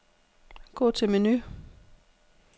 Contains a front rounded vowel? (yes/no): yes